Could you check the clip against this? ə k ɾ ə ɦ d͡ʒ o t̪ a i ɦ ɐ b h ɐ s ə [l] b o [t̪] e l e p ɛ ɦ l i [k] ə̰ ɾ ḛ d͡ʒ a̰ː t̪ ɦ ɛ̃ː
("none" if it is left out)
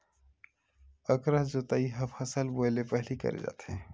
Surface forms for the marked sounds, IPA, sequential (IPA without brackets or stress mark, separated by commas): l, none, k